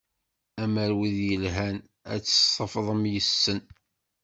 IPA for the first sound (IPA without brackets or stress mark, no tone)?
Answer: æ